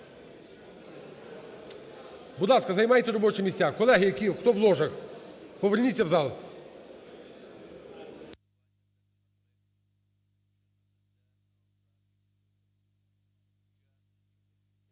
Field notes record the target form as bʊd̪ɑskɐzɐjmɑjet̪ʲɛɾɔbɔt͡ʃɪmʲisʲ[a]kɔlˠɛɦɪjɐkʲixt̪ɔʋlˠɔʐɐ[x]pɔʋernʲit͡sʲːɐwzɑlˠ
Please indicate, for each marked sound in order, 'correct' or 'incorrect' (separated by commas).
correct, correct